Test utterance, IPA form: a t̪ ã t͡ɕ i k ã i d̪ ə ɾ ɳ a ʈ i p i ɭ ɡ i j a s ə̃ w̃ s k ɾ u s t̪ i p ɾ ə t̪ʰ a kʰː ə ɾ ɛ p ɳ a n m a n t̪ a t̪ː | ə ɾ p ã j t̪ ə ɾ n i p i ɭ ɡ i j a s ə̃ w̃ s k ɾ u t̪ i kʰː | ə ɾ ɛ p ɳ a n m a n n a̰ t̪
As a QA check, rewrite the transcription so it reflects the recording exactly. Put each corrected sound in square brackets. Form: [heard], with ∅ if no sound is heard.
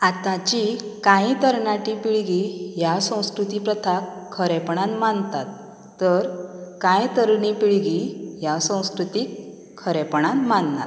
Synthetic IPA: a t̪ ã t͡ɕ i k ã i [t̪] ə ɾ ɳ a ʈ i p i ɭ ɡ i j a s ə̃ w̃ s k ɾ u [∅] t̪ i p ɾ ə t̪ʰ a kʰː ə ɾ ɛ p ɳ a n m a n t̪ a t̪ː | ə ɾ [k] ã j t̪ ə ɾ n i p i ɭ ɡ i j a s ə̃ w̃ s k ɾ u t̪ i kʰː | ə ɾ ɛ p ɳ a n m a n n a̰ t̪